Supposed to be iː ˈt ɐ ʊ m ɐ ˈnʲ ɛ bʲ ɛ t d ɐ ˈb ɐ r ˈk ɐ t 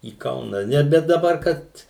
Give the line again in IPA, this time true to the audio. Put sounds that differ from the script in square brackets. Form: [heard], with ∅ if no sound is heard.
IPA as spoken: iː [ˈk] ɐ ʊ [n] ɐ ˈnʲ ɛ bʲ ɛ t d ɐ ˈb ɐ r ˈk ɐ t